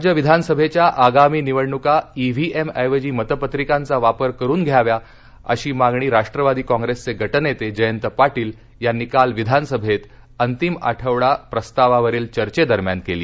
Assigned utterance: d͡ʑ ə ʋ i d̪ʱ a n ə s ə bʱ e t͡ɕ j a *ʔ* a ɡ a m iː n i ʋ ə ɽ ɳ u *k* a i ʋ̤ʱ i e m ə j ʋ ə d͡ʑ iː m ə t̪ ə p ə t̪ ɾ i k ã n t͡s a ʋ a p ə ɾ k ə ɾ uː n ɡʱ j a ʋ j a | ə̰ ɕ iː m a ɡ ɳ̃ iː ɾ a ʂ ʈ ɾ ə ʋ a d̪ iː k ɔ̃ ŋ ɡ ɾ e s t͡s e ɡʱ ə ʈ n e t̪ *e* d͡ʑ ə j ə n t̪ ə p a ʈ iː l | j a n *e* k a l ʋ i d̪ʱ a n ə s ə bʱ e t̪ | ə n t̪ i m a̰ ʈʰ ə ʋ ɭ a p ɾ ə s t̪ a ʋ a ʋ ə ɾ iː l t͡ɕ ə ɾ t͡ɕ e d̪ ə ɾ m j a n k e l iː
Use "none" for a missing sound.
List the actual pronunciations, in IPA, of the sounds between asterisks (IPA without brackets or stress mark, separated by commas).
ʔ, k, e, i